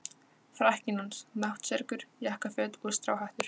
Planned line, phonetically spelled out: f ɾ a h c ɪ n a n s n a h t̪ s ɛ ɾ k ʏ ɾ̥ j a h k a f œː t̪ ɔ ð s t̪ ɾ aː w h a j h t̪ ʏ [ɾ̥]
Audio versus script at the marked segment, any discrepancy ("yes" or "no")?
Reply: no